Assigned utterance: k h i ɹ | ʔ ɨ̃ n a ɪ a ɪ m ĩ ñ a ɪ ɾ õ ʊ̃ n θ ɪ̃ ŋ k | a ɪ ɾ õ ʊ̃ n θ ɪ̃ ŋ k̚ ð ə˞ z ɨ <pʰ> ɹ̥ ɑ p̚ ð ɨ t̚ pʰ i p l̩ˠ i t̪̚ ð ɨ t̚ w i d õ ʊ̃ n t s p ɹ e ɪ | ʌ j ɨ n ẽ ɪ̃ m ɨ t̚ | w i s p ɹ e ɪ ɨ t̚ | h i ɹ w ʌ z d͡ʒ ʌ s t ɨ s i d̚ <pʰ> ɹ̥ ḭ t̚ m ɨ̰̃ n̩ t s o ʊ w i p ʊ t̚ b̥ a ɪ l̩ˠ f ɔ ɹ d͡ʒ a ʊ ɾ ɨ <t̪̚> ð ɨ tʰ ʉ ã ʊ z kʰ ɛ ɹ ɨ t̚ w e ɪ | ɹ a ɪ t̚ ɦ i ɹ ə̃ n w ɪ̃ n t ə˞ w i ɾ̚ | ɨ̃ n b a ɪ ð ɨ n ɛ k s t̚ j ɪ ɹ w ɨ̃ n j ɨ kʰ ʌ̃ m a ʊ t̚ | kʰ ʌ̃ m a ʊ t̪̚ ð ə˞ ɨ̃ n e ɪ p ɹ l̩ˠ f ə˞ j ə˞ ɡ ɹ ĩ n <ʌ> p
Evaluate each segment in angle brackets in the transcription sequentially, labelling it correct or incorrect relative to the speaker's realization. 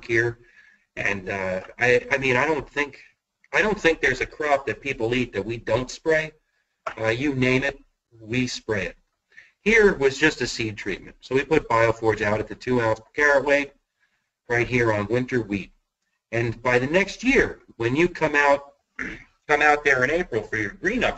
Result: incorrect: kʰ, incorrect: tʰ, correct, correct

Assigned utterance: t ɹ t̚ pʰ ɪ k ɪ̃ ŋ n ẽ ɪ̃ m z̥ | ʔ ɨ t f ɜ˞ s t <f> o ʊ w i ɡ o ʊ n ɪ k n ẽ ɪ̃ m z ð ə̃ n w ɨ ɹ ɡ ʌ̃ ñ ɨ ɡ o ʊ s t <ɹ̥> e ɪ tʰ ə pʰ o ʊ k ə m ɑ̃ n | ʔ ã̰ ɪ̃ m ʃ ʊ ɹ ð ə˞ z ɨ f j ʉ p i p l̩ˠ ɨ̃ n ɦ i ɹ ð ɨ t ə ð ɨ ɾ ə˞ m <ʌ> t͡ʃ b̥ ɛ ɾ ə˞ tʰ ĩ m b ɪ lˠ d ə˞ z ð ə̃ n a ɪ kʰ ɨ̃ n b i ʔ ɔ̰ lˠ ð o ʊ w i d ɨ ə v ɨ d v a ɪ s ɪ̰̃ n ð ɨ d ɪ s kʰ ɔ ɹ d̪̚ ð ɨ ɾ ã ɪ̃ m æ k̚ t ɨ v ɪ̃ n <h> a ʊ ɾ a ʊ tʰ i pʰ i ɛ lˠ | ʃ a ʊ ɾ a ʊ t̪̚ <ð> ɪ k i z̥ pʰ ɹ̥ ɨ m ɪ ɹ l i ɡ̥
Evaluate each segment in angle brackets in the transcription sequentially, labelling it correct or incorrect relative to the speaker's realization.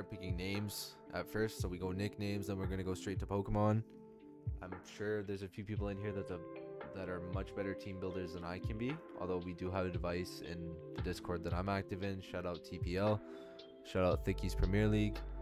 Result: incorrect: s, correct, correct, incorrect: ʃ, incorrect: θ

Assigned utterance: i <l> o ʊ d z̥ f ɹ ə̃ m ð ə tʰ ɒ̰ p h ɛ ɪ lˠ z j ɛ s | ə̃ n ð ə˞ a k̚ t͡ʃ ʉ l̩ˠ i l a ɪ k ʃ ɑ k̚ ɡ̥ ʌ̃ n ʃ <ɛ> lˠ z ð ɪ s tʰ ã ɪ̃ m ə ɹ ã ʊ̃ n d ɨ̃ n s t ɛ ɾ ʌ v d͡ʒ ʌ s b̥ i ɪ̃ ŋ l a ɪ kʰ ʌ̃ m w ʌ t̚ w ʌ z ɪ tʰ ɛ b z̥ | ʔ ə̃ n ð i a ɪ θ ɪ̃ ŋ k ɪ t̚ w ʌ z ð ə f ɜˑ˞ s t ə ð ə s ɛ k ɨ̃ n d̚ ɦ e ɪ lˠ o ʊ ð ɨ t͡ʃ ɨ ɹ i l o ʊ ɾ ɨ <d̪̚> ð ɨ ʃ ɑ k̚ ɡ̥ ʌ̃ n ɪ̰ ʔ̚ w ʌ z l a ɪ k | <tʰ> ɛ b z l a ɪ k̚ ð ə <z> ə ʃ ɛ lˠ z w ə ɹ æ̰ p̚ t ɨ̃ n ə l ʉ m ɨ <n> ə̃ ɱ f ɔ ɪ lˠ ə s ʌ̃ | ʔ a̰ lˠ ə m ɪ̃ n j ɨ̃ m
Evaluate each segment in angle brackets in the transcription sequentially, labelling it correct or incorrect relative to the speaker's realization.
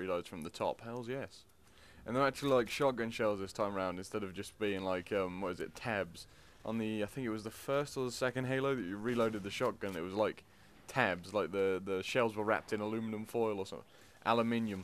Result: correct, correct, correct, correct, incorrect: ð, correct

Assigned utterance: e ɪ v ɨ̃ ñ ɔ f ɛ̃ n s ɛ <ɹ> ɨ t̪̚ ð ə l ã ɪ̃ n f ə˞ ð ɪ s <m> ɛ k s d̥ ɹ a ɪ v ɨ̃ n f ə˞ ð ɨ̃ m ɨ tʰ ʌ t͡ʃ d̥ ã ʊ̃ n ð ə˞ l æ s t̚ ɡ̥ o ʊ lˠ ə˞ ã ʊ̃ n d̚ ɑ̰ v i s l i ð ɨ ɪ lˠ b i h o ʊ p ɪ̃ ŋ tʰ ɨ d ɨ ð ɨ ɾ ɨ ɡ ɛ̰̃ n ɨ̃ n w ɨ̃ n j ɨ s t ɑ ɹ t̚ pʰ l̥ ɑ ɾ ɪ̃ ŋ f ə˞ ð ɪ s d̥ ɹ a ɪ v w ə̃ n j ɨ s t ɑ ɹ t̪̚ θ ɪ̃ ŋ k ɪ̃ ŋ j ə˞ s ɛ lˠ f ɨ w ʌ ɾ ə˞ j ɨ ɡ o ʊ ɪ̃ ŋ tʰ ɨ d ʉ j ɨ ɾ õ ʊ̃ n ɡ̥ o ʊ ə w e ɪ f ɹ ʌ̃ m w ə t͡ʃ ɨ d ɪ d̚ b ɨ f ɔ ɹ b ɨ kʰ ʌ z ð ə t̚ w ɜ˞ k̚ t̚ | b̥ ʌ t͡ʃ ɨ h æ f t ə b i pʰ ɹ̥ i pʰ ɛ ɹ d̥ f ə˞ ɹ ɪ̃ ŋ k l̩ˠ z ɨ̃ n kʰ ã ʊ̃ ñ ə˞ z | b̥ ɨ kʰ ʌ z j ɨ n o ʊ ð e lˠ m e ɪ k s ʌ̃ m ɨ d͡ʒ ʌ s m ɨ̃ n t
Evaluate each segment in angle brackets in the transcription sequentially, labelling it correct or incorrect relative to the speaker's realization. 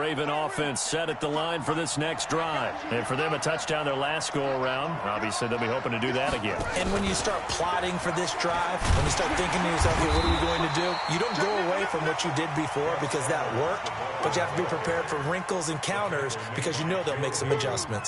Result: incorrect: ɾ, incorrect: n

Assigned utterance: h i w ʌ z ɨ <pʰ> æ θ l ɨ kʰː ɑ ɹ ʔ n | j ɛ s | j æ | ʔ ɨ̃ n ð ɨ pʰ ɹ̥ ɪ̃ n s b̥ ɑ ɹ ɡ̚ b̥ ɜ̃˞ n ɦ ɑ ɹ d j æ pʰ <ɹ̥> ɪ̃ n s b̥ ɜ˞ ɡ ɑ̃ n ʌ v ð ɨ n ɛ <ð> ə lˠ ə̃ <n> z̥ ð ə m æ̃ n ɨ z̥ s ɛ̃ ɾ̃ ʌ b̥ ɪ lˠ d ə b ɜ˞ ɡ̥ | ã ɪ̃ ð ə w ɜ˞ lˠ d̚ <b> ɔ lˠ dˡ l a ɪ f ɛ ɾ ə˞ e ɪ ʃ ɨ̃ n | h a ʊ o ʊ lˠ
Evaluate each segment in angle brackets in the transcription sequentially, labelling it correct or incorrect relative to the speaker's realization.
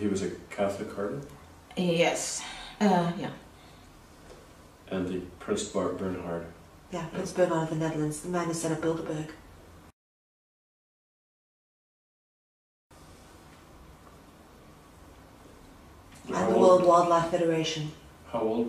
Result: incorrect: kʰ, correct, correct, correct, incorrect: w

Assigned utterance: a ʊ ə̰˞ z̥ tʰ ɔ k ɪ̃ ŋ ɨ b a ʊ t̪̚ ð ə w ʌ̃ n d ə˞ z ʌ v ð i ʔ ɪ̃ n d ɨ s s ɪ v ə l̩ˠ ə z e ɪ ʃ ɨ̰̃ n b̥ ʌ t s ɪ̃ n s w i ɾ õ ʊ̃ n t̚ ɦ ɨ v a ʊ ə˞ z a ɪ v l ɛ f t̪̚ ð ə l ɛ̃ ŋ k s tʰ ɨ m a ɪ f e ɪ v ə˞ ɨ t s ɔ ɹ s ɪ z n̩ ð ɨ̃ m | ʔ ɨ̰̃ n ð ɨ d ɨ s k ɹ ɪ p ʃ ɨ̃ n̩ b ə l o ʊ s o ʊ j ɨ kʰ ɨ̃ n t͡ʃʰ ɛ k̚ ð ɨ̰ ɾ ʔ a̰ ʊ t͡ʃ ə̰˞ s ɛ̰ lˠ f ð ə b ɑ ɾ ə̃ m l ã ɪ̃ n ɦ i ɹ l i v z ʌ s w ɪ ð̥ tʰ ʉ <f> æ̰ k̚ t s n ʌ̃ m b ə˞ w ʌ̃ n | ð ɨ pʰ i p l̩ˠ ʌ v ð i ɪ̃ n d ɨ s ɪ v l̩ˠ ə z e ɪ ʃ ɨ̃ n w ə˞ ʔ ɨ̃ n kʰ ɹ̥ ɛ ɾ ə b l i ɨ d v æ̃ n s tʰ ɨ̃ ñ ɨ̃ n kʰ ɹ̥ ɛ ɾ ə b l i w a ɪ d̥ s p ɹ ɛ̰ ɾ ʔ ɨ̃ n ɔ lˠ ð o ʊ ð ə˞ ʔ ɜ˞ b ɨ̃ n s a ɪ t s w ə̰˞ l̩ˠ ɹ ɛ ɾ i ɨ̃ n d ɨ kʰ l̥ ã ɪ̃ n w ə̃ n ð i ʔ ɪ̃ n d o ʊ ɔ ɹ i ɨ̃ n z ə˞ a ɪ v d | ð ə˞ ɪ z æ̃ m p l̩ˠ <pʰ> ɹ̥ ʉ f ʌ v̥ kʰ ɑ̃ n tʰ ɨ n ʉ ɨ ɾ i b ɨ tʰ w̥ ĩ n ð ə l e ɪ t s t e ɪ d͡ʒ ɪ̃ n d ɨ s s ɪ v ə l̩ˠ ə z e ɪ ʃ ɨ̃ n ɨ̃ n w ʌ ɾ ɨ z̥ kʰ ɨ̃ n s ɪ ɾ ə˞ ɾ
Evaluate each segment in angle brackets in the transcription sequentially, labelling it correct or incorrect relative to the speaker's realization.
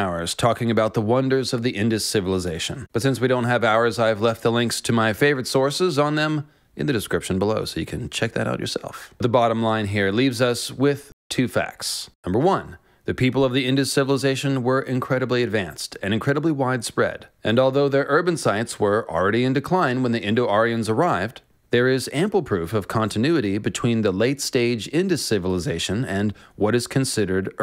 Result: correct, correct

